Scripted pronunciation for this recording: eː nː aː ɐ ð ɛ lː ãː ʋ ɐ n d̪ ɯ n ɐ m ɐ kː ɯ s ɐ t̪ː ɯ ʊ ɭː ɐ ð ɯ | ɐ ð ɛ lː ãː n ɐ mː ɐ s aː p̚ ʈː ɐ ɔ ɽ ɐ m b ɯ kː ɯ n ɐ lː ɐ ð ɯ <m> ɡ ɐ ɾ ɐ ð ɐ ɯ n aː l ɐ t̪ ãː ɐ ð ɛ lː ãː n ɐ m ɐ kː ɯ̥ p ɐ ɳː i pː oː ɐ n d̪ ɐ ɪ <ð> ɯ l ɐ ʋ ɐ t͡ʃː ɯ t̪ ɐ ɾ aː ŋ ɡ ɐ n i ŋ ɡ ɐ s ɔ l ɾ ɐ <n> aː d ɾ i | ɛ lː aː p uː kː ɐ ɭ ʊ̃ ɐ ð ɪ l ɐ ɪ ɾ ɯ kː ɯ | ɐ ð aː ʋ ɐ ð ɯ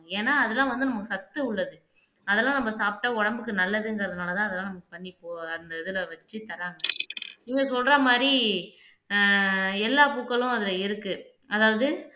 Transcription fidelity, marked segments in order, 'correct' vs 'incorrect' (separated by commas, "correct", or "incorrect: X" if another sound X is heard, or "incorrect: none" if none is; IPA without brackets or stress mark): incorrect: ŋ, correct, incorrect: m